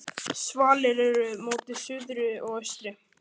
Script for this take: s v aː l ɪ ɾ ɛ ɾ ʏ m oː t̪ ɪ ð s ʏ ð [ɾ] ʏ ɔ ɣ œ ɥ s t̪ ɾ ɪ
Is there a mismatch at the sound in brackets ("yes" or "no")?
no